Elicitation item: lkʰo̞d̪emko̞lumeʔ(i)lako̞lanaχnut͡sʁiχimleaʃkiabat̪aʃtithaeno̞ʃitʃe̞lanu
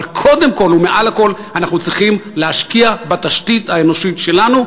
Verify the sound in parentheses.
incorrect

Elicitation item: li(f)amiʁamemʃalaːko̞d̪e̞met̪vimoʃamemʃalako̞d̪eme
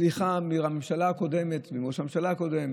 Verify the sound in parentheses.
incorrect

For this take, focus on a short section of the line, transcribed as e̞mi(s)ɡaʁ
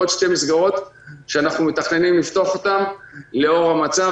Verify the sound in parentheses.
correct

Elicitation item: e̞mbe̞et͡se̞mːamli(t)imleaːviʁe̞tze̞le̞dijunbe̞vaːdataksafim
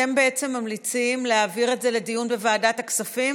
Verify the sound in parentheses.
incorrect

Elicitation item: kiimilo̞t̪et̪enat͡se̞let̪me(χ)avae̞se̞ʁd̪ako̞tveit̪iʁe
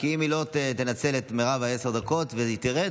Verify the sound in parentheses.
incorrect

